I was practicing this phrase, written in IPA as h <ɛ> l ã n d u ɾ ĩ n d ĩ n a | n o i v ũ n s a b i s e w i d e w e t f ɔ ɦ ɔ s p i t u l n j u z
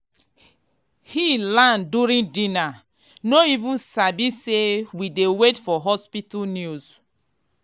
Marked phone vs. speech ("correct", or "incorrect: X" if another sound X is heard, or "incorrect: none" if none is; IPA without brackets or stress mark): incorrect: i